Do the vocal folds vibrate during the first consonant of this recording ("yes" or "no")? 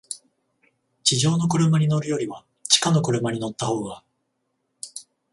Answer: no